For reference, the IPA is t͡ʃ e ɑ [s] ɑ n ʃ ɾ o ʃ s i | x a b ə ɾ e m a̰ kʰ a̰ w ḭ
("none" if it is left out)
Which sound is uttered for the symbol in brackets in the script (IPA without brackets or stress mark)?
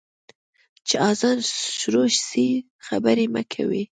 z